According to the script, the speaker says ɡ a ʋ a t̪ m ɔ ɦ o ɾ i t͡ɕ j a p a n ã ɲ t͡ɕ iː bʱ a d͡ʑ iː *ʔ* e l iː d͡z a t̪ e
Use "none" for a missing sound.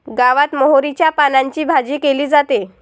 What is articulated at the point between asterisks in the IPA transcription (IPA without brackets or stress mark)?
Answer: k